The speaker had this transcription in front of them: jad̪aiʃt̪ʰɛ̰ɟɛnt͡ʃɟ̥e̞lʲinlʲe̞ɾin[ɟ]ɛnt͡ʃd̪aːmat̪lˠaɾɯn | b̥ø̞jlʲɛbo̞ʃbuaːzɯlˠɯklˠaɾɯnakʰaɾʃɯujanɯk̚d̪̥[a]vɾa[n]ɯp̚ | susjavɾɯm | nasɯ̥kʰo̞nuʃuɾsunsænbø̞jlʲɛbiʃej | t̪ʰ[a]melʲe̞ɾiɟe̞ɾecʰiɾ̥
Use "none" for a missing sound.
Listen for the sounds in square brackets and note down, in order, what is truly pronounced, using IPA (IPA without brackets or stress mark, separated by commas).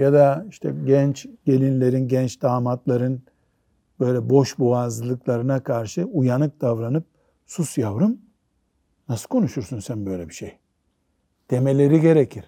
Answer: ɟ, a, n, e